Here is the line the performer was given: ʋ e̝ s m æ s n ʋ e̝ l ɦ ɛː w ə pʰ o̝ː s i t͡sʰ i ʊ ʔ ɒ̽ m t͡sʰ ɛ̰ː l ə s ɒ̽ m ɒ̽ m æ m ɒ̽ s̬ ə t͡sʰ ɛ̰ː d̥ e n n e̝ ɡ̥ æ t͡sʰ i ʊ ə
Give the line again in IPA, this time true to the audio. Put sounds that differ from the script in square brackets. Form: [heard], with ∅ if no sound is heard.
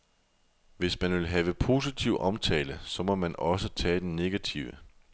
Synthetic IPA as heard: ʋ e̝ s m æ [∅] n ʋ e̝ l ɦ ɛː [ʋ] ə pʰ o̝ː s i t͡sʰ i ʊ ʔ ɒ̽ m t͡sʰ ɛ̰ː l ə s ɒ̽ m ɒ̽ m æ [n] ɒ̽ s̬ ə t͡sʰ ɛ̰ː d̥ e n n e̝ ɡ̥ æ t͡sʰ i ʊ ə